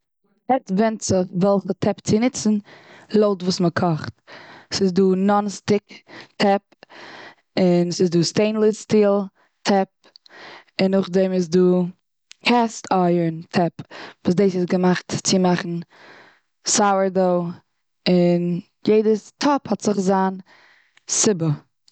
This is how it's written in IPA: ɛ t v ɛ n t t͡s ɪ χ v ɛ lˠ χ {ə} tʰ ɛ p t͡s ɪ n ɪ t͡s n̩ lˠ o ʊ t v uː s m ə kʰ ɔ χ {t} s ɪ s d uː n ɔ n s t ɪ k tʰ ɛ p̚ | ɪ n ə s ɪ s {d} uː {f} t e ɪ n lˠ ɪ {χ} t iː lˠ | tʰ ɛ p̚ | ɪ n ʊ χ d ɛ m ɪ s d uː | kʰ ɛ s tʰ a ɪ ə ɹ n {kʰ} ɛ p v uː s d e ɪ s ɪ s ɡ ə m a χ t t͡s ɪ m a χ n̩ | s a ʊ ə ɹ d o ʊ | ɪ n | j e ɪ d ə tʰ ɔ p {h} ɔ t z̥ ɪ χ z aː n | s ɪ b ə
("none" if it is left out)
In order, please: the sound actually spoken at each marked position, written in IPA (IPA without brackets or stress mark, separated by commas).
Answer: ə, t, d, s, s, tʰ, h